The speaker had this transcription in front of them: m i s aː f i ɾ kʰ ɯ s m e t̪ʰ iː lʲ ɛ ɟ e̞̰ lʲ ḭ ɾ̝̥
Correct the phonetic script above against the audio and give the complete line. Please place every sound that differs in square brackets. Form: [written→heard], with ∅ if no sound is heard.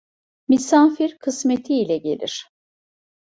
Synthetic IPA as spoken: m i s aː f i ɾ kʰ ɯ s m e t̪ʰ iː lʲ ɛ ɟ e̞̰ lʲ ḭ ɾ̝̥